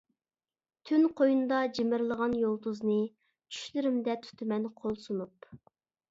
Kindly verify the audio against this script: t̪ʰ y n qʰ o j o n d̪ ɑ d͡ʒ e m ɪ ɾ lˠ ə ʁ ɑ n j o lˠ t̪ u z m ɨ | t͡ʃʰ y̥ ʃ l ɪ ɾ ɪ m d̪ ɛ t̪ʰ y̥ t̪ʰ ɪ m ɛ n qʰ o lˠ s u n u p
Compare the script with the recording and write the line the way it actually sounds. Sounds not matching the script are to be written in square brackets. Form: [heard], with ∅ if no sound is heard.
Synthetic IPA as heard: t̪ʰ y n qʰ o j [u] n d̪ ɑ d͡ʒ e m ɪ ɾ lˠ ə ʁ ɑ n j o lˠ t̪ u z [n] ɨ | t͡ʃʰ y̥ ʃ l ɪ ɾ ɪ m d̪ ɛ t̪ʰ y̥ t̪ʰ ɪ m ɛ n qʰ o lˠ s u n u p

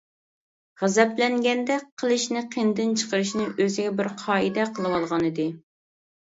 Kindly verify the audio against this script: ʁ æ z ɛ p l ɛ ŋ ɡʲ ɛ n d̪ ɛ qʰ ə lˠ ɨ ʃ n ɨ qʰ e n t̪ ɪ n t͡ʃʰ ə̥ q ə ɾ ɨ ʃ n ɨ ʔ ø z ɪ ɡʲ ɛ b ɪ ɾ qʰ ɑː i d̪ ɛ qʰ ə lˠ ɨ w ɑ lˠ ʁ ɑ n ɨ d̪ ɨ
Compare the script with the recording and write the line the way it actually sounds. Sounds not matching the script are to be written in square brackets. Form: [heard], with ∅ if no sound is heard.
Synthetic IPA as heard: ʁ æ z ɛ p l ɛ ŋ ɡʲ ɛ n d̪ ɛ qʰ ə lˠ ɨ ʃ n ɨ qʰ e n [d̪] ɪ n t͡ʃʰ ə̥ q ə ɾ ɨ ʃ n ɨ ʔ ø z ɪ ɡʲ ɛ b ɪ ɾ qʰ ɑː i d̪ ɛ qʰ ə lˠ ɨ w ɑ lˠ ʁ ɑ n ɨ d̪ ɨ

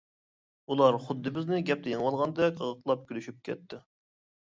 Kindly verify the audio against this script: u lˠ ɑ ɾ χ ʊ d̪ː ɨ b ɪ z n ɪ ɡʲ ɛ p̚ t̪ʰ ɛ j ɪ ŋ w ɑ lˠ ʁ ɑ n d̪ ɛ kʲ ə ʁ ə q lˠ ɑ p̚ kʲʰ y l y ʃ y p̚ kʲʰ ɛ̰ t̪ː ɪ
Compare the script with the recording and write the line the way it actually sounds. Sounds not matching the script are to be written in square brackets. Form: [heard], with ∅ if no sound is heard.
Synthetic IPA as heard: u lˠ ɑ ɾ χ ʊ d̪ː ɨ b ɪ z n ɪ ɡʲ ɛ p̚ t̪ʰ ɛ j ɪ ŋ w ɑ lˠ ʁ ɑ n d̪ ɛ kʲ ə ʁ ə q lˠ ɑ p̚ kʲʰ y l y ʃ y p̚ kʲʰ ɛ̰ t̪ː ɪ

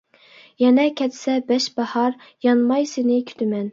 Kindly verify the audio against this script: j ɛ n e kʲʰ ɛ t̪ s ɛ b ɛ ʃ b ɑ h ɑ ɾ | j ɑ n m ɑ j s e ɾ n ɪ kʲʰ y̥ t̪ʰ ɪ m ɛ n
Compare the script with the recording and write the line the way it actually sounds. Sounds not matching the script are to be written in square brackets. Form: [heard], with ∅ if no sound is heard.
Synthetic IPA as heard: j ɛ n [ɛ] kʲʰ ɛ t̪ s ɛ b ɛ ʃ b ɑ h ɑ ɾ | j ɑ n m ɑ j s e [∅] n ɪ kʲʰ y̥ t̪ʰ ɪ m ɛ n

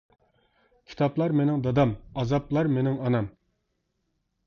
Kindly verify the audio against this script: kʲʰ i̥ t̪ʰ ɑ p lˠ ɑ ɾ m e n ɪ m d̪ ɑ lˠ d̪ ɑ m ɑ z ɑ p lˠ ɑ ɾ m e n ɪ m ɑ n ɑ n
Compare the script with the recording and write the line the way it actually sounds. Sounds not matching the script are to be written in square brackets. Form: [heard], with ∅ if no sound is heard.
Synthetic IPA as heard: kʲʰ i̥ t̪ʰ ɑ p lˠ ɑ ɾ m e n ɪ [ŋ] d̪ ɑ [∅] d̪ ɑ m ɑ z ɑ p lˠ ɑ ɾ m e n ɪ [ŋ] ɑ n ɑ [m]

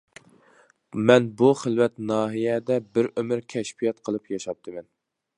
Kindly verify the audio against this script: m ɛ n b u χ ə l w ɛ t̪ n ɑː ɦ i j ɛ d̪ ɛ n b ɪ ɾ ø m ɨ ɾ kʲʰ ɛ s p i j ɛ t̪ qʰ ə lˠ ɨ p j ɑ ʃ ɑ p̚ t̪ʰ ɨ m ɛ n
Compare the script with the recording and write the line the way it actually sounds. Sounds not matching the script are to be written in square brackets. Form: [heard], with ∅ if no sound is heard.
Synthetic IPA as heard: m ɛ n b u χ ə l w ɛ t̪ n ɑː ɦ i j ɛ d̪ ɛ [∅] b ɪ ɾ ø m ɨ ɾ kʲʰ ɛ [ʃ] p i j ɛ t̪ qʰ ə lˠ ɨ p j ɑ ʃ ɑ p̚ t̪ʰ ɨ m ɛ n

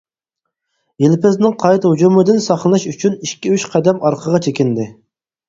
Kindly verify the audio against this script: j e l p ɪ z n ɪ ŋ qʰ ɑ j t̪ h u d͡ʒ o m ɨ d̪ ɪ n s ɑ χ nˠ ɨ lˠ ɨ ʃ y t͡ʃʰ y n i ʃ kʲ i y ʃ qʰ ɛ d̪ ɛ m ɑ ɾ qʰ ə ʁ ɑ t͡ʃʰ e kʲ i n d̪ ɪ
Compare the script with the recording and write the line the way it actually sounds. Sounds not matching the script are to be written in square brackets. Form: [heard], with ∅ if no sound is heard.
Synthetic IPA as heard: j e l p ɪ z n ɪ ŋ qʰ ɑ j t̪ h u d͡ʒ [u] m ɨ d̪ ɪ n s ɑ χ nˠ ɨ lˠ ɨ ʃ y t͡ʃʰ y n i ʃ kʲ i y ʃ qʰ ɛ d̪ ɛ m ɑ ɾ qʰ ə ʁ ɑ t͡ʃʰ e kʲ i n d̪ ɪ

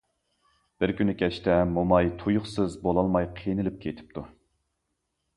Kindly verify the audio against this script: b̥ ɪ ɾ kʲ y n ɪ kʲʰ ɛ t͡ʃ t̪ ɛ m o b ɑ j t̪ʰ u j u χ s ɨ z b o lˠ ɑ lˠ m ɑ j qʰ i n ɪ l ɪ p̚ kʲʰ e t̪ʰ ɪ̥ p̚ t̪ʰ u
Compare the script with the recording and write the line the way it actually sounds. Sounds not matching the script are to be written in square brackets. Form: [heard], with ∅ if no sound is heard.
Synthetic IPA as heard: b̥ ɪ ɾ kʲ y n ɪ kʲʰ ɛ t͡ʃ t̪ ɛ m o [m] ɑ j t̪ʰ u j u χ s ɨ z b o lˠ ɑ lˠ m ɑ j qʰ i n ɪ l ɪ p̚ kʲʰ e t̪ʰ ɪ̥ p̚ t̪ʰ u

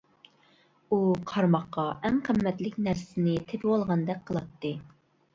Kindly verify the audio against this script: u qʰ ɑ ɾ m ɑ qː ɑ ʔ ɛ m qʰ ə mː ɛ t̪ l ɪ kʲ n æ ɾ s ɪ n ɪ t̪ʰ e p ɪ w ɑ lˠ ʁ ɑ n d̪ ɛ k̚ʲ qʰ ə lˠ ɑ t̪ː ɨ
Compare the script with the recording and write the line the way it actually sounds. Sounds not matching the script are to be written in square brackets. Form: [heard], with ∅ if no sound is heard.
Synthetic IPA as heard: u qʰ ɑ ɾ m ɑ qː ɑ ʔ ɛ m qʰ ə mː ɛ t̪ l ɪ kʲ n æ ɾ s ɪ n ɪ t̪ʰ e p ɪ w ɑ lˠ ʁ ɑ n d̪ ɛ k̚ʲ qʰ ə lˠ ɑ t̪ː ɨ

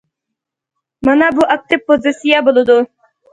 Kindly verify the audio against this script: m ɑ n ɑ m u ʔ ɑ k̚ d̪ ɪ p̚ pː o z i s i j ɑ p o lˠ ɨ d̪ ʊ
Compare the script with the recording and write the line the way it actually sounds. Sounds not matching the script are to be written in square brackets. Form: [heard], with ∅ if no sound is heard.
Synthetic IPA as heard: m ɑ n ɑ [b] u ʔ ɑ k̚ [t̪] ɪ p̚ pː o z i s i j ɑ [b] o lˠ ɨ d̪ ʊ

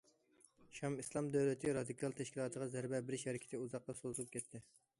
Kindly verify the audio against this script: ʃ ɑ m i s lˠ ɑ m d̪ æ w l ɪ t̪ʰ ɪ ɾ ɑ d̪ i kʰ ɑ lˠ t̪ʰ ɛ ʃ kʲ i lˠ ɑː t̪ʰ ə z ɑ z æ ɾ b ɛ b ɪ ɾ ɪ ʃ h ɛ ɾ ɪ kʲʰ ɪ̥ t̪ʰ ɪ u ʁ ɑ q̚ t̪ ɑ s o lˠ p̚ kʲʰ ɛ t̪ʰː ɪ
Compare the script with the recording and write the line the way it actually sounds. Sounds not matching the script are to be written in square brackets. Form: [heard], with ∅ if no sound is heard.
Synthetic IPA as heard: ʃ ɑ m i s lˠ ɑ m d̪ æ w l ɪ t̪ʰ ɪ ɾ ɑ d̪ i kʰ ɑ lˠ t̪ʰ ɛ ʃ kʲ i lˠ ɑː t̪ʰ ə [ʁ] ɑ z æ ɾ b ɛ b ɪ ɾ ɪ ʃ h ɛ ɾ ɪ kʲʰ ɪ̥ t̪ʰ ɪ u [z] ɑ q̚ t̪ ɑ s o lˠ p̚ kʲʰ ɛ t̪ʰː ɪ

